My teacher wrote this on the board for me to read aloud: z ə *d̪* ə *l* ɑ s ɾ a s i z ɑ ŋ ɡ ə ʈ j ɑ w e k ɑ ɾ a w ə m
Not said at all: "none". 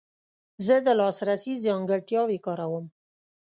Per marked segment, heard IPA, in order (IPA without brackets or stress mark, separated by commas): d̪, l